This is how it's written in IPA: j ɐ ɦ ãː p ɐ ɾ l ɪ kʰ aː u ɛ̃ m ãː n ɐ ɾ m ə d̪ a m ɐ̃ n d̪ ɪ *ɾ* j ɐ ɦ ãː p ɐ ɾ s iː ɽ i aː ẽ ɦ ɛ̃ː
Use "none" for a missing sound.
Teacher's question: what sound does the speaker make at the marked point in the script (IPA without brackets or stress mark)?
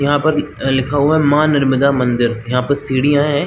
ɾ